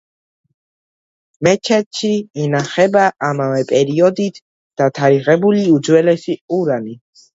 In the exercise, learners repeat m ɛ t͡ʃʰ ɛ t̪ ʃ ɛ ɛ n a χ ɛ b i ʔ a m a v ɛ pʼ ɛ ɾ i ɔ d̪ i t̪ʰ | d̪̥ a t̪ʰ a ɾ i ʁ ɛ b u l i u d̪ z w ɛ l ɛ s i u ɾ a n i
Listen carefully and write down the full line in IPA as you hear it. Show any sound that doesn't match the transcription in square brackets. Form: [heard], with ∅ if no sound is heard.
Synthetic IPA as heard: m ɛ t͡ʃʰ ɛ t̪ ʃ [i] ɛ n a χ ɛ b [a] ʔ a m a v ɛ pʼ ɛ ɾ i ɔ d̪ i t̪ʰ | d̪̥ a t̪ʰ a ɾ i ʁ ɛ b u l i u d̪ z w ɛ l ɛ s i u ɾ a n i